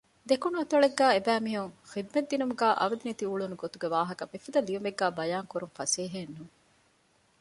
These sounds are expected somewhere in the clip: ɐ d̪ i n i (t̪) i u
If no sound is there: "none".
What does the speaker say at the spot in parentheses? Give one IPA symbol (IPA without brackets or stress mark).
t̪